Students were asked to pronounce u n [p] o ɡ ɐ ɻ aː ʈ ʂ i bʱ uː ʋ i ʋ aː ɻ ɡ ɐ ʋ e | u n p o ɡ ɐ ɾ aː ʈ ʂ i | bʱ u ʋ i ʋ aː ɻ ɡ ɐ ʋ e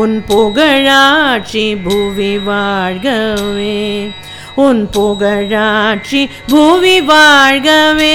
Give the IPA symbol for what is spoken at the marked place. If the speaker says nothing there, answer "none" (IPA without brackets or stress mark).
p